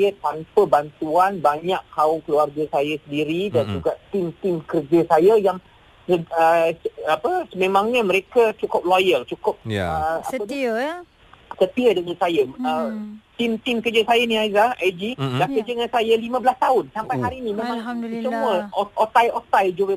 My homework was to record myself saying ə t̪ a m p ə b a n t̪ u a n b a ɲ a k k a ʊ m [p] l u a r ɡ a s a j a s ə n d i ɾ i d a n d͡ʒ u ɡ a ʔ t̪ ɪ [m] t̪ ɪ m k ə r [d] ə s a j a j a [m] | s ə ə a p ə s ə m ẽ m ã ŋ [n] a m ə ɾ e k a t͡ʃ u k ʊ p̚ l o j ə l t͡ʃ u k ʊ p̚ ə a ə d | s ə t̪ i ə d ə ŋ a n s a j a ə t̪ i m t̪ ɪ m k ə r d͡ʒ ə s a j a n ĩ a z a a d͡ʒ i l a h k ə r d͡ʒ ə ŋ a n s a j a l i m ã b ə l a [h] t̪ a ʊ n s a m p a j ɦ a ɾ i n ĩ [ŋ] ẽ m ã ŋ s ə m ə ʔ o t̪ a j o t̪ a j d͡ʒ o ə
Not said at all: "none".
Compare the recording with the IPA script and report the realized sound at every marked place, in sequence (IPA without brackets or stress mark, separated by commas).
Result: k, m, d͡ʒ, ŋ, ɲ, s, m